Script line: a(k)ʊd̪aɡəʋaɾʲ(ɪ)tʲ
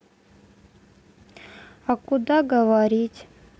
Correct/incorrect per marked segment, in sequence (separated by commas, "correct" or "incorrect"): correct, incorrect